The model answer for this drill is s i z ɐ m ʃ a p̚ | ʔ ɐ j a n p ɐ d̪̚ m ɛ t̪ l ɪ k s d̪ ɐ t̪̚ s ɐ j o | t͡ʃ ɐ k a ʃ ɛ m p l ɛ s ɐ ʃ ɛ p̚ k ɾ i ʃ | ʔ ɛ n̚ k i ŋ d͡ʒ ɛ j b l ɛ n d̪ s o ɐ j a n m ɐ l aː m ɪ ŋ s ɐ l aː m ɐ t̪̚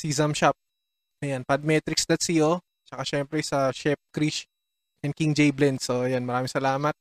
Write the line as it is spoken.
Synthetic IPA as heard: s i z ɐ m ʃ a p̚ | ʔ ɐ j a n p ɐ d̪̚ m ɛ t̪ ɾ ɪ k s d̪ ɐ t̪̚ s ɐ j o | t͡ʃ ɐ k a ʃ ɛ m p ɾ ɛ s ɐ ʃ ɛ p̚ k ɾ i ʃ | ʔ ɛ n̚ k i ŋ d͡ʒ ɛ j b l ɛ n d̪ s o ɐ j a n m ɐ ɾ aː m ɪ ŋ s ɐ l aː m ɐ t̪̚